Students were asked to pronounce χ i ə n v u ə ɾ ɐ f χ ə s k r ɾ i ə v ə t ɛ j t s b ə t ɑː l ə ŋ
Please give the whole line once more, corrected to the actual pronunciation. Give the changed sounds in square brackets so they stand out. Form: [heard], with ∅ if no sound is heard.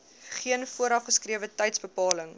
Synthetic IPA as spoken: χ i ə n [f] u ə ɾ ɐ f χ ə s k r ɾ i ə v ə t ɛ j t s b ə [p] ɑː l ə ŋ